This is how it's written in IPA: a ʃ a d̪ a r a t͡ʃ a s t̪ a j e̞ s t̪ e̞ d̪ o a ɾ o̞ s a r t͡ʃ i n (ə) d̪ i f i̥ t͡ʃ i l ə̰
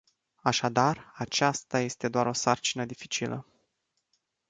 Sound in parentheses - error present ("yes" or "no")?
no